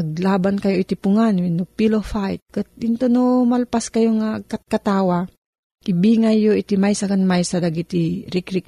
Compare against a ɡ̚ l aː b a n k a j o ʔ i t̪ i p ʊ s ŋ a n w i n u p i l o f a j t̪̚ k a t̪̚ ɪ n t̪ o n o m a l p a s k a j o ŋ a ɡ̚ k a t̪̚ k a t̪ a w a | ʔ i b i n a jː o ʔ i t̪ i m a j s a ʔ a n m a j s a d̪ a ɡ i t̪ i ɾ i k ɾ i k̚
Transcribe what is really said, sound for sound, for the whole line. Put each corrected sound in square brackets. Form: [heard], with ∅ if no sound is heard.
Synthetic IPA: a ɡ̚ l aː b a n k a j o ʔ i t̪ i p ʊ [∅] ŋ a n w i n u p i l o f a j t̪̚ k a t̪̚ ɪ n t̪ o n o m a l p a s k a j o ŋ a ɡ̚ k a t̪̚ k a t̪ a w a | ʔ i b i [ŋ] a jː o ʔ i t̪ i m a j s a [k] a n m a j s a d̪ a ɡ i t̪ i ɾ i k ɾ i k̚